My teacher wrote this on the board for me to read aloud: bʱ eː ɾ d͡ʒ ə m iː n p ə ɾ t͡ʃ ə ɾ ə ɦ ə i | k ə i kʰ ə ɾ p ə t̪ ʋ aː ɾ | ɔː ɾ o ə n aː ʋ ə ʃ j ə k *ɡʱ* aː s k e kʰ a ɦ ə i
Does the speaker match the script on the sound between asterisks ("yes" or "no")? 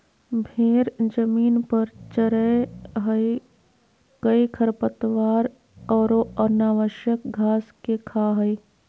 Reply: yes